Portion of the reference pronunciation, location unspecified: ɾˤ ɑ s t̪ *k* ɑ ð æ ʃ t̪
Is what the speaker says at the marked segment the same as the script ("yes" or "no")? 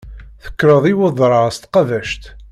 no